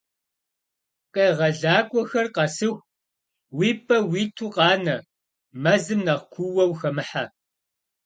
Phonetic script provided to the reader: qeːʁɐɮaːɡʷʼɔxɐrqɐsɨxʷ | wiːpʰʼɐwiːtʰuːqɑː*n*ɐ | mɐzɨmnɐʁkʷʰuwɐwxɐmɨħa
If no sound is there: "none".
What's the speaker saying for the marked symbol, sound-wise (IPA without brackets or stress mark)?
n